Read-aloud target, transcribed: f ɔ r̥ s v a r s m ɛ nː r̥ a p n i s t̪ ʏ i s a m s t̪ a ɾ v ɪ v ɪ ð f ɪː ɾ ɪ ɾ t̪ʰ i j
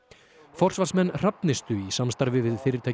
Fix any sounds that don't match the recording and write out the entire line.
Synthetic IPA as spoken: f ɔ r̥ s v a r s m ɛ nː r̥ a p n ɪ s t̪ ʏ i s a m s t̪ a ɾ v ɪ v ɪ ð f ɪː ɾ ɪ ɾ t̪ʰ a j

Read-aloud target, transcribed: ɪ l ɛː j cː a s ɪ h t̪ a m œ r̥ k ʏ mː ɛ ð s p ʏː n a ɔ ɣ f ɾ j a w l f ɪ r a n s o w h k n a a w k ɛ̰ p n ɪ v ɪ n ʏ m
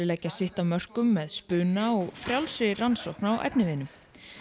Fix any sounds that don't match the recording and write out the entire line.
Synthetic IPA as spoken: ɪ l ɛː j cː a s ɪ h t̪ a m œ r̥ k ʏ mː ɛ ð s p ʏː n a ɔ ɣ f ɾ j a w l s ɪ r a n s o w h k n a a w ʔ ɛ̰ p n ɪ v ɪ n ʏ m

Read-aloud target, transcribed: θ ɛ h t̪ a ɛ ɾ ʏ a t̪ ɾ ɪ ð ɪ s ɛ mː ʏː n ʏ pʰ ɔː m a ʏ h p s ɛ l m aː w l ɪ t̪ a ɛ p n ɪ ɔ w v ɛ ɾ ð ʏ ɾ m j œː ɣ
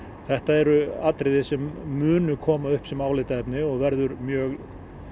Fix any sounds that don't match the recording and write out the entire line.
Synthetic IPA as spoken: θ ɛ h t̪ a ɛ ɾ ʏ a t̪ ɾ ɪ ð ɪ s ɛ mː ʏː n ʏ kʰ ɔː m a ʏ h p s ɛ m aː w l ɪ t̪ a ɛ p n ɪ ɔ ɣ v ɛ ɾ ð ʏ ɾ m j œː ɣ

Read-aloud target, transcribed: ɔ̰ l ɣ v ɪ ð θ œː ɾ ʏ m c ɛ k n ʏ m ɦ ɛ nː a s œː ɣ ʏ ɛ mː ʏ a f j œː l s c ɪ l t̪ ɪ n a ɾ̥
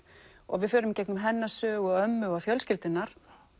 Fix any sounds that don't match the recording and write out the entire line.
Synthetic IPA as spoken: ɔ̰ ɣ v ɪ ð f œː ɾ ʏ m c ɛ k n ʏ m ɦ ɛ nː a s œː ɣ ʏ œ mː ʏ a f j œ l s c ɪ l t̪ ɪ n a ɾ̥

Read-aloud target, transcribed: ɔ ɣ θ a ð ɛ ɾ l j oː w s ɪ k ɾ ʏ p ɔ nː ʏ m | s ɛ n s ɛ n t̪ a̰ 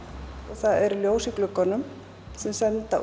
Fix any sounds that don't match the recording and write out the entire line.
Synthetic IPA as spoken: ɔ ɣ θ a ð ɛ ɾ l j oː w s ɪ k l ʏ k ɔ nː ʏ m | s ɛ m s ɛ n t̪ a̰

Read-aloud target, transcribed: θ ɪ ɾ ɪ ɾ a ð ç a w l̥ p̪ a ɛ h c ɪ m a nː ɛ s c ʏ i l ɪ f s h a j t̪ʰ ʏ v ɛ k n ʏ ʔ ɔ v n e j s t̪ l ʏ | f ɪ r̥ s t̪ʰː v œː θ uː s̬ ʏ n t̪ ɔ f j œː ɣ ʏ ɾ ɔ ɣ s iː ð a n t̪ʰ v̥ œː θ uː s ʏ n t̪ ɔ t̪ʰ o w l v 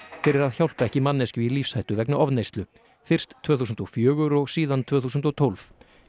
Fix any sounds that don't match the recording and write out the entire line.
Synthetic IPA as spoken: f ɪ ɾ ɪ ɾ a ð ç a w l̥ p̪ a ɛ h c ɪ m a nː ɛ s c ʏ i l i f s h a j t̪ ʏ v ɛ k n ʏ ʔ ɔ v n e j s t̪ l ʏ | f ɪ r̥ s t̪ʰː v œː θ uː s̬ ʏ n t̪ ɔ f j œː ɣ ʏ ɾ ɔ ɣ s iː ð a n t̪ʰ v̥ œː θ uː s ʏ n t̪ ɔ t̪ʰ o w l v

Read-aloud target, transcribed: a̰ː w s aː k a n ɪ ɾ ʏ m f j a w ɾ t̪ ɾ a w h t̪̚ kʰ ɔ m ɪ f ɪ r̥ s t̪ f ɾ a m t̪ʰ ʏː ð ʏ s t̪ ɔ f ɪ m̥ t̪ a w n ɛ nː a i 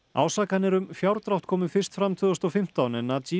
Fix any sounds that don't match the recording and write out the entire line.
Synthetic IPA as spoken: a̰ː w s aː k a n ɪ ɾ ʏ m f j a w ɾ t̪ ɾ a w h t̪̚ kʰ ɔː m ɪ f ɪ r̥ s t̪ f ɾ a m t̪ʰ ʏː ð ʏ s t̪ ɔ f ɪ m̥ t̪ a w n ɛ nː a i

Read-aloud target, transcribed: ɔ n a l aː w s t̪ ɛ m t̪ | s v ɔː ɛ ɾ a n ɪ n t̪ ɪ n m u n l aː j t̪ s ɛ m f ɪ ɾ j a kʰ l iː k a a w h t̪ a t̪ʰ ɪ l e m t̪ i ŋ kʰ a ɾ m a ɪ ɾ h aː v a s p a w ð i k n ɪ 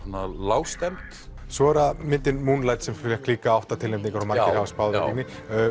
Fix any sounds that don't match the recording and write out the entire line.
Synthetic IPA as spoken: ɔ n a l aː w s t̪ ɛ m t̪ | s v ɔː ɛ ɾ a m ɪ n t̪ ɪ n m u n l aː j t̪ s ɛ m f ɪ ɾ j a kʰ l iː k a a w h t̪ a t̪ʰ ɪ l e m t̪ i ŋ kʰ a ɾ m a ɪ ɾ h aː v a s p a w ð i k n ɪ

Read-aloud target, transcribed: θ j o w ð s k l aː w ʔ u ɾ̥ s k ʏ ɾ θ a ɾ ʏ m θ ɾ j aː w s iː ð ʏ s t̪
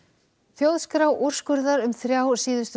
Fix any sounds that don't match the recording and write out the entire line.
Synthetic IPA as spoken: θ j o w ð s k ɾ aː w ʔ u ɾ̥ s k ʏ ɾ ð a ɾ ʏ m θ ɾ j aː w s iː ð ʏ s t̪

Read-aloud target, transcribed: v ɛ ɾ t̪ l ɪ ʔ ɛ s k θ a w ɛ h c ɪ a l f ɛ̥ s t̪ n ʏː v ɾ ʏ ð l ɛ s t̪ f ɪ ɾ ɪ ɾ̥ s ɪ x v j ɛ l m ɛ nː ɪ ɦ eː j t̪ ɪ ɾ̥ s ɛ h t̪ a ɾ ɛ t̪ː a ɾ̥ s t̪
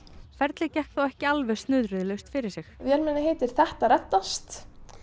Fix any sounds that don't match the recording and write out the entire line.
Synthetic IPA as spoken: f ɛ ɾ t̪ l ɪ c ɛ h k θ a w ɛ h c ɪ a l v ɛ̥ s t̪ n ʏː ð ɾ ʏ ð l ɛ s t̪ f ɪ ɾ ɪ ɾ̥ s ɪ x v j ɛ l m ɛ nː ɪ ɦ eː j t̪ ɪ ɾ̥ θ ɛ h t̪ a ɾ ɛ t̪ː a s t̪

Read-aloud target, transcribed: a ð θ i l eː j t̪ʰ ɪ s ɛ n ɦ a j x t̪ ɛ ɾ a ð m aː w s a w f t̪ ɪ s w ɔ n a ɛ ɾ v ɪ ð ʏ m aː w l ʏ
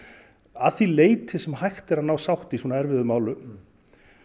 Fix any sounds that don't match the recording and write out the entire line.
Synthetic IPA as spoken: a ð θ i l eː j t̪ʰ ɪ s ɛ m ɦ a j x t̪ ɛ ɾ a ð n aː w s a w h t̪ i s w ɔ n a ɛ ɾ v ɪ ð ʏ m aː w l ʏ

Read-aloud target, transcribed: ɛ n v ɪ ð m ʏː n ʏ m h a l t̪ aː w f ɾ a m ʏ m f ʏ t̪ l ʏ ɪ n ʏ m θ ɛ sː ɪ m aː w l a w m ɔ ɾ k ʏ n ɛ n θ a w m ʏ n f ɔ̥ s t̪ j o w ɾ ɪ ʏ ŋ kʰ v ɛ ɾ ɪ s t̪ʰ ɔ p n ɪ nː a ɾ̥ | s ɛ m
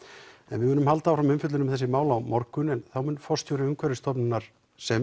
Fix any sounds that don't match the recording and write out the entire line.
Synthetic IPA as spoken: ɛ n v ɪ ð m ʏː n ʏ m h a l t̪ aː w f ɾ a m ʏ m f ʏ t̪ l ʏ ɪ n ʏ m θ ɛ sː ɪ m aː w l a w m ɔ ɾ k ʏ n ɛ n θ a w m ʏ n f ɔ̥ s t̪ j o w ɾ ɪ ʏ ŋ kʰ v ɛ ɾ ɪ s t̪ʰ ɔ p n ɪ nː a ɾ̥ | s ɛ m

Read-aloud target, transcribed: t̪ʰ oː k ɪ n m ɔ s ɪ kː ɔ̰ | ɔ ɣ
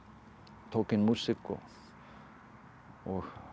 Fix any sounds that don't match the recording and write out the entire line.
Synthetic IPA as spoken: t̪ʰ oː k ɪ n m u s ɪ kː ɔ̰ | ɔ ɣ

